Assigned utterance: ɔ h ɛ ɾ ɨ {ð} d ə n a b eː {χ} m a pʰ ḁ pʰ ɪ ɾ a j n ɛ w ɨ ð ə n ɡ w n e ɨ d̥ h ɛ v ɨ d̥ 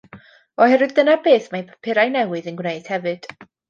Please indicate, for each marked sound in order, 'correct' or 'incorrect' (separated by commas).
correct, incorrect